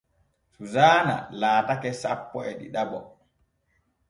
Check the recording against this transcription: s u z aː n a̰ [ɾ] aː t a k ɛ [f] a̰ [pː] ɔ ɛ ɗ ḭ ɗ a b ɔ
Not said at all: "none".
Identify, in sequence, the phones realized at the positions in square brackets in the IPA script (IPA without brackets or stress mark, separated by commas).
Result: l, s, pː